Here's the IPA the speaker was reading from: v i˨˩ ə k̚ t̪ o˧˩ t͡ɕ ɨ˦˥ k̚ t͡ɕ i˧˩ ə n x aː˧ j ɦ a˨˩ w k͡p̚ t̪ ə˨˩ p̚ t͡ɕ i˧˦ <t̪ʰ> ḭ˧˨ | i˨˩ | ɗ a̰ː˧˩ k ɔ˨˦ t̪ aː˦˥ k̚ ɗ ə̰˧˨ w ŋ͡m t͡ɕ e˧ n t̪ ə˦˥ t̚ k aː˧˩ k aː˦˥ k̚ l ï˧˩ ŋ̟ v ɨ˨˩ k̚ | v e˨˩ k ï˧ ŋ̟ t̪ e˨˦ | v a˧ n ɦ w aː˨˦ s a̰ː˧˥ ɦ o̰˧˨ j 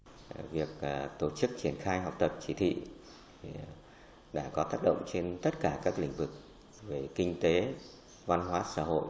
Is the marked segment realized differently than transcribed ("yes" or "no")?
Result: no